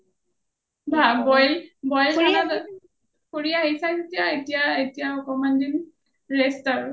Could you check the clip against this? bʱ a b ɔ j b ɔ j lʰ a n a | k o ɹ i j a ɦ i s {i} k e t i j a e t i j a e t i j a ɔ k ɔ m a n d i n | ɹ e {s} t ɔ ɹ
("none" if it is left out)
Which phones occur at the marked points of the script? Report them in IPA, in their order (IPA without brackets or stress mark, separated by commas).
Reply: a, s